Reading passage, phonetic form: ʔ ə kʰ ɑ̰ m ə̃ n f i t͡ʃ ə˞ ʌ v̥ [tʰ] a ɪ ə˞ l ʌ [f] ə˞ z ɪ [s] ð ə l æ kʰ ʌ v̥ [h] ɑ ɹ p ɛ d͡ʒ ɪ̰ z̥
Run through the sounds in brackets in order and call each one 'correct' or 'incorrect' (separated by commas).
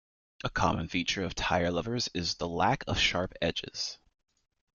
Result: correct, incorrect, incorrect, incorrect